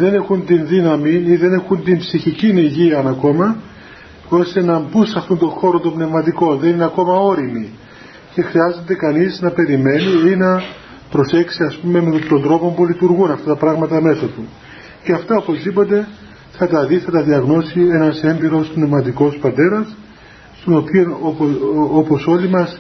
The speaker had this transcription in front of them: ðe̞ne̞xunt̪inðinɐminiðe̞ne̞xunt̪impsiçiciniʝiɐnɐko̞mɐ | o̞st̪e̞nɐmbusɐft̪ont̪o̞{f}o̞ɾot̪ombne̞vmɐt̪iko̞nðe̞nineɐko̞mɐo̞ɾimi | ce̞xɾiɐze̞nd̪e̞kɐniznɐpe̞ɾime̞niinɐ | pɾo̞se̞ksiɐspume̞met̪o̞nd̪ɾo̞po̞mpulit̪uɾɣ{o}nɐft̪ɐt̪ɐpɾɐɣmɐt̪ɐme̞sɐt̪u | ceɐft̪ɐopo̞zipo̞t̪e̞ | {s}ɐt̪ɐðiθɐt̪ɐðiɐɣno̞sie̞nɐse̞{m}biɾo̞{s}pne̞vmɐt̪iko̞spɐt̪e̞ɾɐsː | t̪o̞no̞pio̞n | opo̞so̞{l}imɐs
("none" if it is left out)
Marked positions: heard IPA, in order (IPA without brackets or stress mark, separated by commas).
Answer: x, u, θ, m, s, l